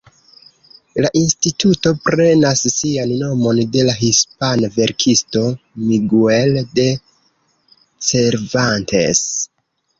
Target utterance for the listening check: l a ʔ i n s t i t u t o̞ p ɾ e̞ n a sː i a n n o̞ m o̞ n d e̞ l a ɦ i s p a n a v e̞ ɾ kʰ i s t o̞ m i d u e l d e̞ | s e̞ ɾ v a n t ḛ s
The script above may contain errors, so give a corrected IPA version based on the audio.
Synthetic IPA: l a ʔ i n s t i t u t o̞ p ɾ e̞ n a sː i a n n o̞ m o̞ n d e̞ l a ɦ i s p a n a v e̞ ɾ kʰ i s t o̞ m i ɡ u e l d e̞ | s e̞ ɾ v a n t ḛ s